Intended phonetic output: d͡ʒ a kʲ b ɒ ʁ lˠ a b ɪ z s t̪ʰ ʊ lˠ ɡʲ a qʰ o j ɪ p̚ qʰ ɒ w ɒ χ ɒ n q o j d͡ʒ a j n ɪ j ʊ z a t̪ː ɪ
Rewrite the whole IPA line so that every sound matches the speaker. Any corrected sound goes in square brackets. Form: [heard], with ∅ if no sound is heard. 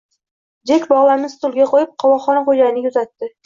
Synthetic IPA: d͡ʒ [e] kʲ b ɒ ʁ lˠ a [m] ɪ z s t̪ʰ ʊ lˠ ɡʲ a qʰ o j ɪ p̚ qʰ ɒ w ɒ χ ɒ n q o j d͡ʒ a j n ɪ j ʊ z a t̪ː ɪ